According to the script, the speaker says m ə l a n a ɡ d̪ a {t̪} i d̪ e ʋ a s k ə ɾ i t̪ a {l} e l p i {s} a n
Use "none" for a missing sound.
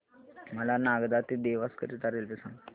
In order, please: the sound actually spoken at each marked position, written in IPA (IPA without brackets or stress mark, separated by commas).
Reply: t̪, ɾ, s